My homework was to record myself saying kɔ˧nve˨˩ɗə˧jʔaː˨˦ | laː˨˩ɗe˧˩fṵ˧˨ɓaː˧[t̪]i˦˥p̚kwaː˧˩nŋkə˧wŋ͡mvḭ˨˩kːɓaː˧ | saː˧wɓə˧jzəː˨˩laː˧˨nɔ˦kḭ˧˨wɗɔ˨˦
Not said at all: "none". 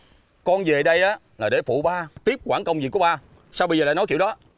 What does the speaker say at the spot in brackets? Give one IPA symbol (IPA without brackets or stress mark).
t̪